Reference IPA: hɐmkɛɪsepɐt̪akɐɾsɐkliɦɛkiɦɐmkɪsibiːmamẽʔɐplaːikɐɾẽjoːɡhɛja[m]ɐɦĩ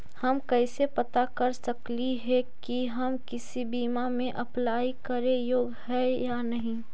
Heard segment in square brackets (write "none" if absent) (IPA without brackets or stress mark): n